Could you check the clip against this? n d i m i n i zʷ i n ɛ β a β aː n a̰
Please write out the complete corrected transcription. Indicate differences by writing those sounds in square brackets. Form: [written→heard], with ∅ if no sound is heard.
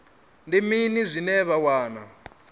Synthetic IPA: n d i m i n i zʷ i n ɛ β a [β→w] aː n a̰